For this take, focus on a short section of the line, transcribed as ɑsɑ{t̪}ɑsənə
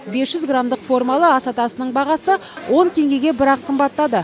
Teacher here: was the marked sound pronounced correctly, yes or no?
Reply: yes